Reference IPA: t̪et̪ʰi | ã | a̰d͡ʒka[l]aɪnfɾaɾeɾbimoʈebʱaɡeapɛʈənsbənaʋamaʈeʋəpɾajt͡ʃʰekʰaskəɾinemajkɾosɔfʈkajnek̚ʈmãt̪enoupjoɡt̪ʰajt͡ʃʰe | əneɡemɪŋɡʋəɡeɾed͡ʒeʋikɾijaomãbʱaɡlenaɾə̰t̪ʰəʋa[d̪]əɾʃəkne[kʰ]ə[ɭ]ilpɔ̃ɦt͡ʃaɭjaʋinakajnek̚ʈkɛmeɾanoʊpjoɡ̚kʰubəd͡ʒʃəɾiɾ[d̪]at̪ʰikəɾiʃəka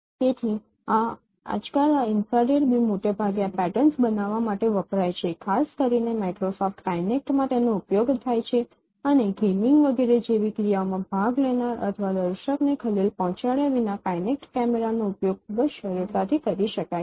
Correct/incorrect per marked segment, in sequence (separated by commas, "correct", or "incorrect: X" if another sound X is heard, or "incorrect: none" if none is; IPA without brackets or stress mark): correct, correct, correct, incorrect: l, incorrect: t̪